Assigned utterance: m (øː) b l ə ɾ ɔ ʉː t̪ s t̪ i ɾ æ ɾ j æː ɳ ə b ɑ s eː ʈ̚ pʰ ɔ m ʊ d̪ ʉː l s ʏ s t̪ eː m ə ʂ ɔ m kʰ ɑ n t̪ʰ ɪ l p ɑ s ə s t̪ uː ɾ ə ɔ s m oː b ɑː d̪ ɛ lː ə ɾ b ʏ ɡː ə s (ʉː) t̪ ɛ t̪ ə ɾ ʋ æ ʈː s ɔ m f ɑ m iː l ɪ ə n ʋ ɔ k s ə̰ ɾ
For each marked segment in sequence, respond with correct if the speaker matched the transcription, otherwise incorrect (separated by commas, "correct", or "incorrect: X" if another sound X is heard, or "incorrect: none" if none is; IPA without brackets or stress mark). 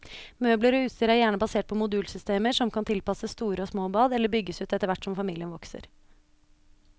correct, correct